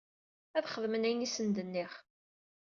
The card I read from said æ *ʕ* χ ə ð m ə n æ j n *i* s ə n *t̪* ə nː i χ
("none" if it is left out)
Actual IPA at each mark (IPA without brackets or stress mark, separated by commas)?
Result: ð, i, d̪